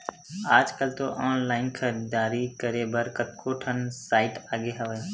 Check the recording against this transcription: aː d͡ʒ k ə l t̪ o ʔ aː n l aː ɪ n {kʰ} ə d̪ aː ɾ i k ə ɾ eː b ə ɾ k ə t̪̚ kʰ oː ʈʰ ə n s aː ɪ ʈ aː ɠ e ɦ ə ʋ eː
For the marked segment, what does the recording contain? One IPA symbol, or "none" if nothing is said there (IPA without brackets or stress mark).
kʰ